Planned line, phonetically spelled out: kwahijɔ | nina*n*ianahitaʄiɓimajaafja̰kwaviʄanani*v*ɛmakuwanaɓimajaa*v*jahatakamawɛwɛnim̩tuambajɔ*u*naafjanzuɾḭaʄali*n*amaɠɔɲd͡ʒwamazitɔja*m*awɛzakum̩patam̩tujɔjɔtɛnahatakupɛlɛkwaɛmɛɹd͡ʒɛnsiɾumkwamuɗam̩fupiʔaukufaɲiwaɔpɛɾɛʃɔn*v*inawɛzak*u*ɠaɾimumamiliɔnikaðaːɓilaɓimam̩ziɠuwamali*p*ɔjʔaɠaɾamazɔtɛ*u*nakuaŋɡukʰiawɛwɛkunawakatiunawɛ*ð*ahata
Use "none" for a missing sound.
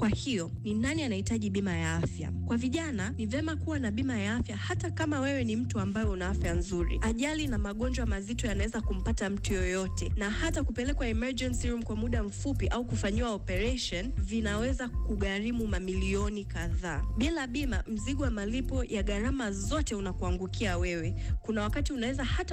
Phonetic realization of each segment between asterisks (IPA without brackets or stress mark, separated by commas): n, v, f, u, n, n, v, u, p, u, z